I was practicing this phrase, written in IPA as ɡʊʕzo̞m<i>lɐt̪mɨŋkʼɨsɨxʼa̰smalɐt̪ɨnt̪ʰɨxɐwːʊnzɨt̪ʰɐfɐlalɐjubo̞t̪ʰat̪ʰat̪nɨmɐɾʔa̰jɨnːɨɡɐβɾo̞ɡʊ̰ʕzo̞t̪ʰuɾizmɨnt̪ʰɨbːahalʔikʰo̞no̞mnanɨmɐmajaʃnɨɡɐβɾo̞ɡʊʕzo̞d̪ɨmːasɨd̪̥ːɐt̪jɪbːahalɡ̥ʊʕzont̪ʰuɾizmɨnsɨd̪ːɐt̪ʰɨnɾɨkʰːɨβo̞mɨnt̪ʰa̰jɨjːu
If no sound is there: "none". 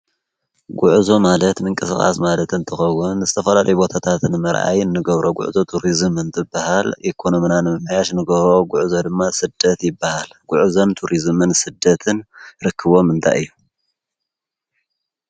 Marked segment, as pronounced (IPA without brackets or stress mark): a